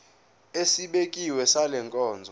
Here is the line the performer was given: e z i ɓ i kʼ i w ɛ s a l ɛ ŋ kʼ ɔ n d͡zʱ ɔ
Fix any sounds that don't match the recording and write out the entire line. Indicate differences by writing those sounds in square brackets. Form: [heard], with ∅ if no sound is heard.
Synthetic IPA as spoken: e [s] i ɓ [e] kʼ i w ɛ s a l ɛ ŋ kʼ [ɔː] n d͡zʱ ɔ